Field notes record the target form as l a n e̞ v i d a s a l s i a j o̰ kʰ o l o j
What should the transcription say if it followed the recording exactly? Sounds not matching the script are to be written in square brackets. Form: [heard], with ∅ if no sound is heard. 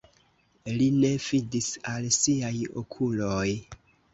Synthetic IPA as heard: l [i] n e̞ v i d [i] s a l s i a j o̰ kʰ [u] l o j